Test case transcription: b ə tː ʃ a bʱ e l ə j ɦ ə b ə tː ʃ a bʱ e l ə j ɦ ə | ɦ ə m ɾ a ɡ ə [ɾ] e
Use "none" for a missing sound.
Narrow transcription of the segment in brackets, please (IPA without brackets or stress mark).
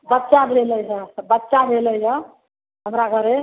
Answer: ɾ